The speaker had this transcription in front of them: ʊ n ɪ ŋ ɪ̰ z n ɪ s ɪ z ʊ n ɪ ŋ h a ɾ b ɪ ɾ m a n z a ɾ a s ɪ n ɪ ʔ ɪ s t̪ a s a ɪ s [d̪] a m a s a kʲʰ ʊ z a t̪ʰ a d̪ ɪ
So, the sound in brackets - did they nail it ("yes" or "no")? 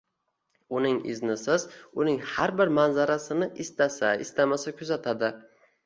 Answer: no